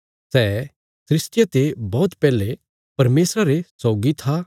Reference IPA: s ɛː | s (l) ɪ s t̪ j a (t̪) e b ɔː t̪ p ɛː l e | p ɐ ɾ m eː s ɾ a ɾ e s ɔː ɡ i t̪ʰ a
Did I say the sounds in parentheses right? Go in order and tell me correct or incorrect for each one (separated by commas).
incorrect, correct